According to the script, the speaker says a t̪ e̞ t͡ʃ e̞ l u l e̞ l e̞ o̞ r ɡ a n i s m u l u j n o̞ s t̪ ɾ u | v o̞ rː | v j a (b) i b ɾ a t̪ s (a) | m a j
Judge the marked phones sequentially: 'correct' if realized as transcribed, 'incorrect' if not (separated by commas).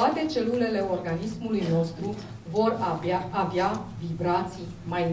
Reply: incorrect, incorrect